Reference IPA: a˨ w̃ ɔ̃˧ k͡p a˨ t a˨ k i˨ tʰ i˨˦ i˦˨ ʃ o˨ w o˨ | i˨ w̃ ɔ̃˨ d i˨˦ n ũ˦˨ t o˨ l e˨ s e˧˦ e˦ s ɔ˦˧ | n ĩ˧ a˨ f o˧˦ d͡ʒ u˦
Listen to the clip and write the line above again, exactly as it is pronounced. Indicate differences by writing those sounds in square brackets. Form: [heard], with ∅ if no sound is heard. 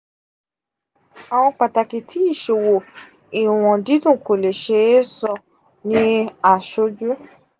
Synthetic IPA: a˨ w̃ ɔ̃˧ k͡p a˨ t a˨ k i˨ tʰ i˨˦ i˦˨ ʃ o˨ w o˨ | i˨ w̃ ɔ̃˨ d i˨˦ [d] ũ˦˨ [k] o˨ l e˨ [ʃ] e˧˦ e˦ s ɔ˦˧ | n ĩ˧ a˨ [ʃ] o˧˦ d͡ʒ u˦